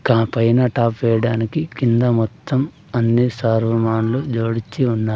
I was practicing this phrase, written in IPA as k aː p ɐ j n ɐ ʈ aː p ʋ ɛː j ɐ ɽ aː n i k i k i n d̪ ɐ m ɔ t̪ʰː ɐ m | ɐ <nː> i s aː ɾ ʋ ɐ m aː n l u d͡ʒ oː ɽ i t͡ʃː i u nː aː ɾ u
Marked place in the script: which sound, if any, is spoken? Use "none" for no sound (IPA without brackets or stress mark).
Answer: nː